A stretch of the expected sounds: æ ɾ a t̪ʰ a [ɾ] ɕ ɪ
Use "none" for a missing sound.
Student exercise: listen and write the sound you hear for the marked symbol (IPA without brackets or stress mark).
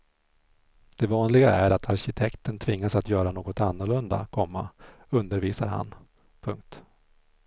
ɾ